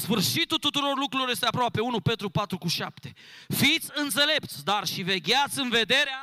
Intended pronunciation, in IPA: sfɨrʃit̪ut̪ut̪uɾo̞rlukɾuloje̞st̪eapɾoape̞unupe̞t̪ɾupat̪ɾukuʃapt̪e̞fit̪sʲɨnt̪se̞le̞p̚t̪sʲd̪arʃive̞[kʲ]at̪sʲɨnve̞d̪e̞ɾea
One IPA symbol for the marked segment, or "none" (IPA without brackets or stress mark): ɡʲ